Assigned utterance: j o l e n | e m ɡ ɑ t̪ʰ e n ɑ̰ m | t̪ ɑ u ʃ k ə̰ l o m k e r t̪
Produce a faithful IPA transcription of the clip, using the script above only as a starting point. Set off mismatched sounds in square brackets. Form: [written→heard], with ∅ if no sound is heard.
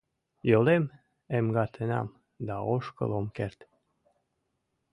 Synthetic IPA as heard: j o l e [n→m] | e m ɡ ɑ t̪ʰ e n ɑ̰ m | [t̪→d̪] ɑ [u→o] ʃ k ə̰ l o m k e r t̪